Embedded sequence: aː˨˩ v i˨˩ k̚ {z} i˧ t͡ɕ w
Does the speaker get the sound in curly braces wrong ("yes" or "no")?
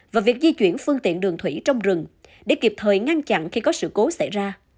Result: no